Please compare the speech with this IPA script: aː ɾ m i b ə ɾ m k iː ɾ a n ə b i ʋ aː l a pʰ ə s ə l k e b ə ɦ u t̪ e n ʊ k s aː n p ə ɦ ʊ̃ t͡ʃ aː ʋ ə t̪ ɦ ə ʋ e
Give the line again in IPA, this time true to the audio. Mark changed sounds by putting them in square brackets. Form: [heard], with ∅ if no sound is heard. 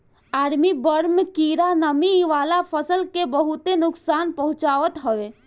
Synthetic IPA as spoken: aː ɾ m i b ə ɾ m k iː ɾ a n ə [m] i ʋ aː l a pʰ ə s ə l k e b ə ɦ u t̪ e n ʊ k s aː n p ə ɦ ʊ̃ t͡ʃ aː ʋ ə t̪ ɦ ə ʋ e